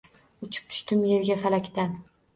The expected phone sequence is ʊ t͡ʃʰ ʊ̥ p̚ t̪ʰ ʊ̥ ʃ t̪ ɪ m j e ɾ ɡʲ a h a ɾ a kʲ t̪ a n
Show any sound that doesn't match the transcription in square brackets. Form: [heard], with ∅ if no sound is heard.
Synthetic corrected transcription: ʊ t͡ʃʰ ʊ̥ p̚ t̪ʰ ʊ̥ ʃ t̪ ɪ m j e ɾ ɡʲ a [f] a [l] a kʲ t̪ a n